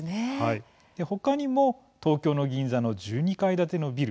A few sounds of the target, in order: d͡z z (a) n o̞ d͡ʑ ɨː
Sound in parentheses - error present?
no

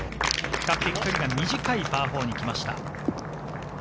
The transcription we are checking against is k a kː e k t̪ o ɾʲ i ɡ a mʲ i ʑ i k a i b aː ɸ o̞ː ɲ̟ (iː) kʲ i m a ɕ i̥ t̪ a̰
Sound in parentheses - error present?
yes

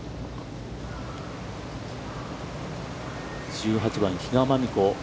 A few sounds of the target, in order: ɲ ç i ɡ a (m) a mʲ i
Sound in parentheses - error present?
no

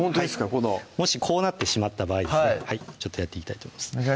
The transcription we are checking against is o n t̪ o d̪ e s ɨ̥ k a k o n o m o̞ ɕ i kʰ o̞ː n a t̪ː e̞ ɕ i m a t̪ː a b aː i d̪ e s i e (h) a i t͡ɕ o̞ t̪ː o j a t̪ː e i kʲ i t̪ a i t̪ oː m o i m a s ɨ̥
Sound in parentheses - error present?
no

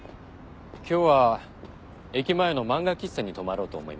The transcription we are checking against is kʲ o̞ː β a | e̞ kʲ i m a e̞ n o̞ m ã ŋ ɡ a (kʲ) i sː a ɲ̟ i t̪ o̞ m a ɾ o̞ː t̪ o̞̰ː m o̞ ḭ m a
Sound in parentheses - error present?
no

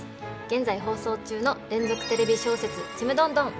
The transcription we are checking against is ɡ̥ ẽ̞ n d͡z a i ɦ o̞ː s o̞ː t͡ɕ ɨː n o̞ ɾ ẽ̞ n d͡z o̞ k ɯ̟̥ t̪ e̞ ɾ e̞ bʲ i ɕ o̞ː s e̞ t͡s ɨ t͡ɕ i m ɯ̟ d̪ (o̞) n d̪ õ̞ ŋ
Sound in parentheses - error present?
yes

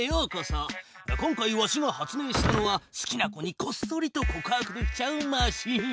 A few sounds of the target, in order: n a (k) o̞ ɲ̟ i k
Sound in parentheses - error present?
no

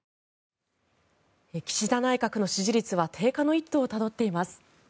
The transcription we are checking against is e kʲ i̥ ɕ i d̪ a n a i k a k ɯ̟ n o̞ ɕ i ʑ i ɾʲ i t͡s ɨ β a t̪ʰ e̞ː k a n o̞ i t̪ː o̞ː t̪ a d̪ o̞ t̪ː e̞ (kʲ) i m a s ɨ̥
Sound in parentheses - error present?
yes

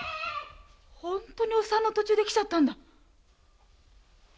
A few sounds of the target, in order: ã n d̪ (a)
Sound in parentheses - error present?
no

